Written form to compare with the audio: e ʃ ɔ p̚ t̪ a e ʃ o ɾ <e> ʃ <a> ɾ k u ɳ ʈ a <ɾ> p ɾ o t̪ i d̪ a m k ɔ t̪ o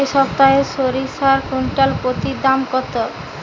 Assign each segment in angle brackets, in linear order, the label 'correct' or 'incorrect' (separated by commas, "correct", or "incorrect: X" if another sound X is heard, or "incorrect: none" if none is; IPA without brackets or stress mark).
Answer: incorrect: i, correct, incorrect: l